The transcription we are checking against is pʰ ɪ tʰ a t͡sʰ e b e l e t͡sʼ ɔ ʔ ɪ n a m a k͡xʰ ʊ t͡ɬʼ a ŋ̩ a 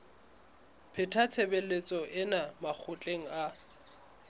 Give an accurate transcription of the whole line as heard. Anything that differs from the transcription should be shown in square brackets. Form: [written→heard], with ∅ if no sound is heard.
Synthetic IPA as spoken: pʰ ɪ tʰ a t͡sʰ e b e l e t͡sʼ ɔ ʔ ɪ n a m a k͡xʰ ʊ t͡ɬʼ [a→e] ŋ̩ a